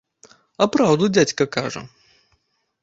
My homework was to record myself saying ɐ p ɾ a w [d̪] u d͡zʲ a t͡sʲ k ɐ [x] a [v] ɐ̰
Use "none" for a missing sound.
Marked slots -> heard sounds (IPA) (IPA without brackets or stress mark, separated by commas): d̪, k, ʐ